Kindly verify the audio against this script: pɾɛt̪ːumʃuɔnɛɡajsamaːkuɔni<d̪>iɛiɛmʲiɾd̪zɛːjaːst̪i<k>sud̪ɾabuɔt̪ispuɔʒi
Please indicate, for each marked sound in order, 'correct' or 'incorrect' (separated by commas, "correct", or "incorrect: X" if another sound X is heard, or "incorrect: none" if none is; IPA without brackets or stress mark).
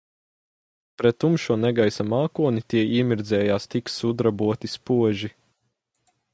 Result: incorrect: t̪, correct